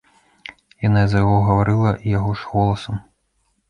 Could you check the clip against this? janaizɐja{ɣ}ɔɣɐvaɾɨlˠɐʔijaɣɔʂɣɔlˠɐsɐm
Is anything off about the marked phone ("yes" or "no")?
no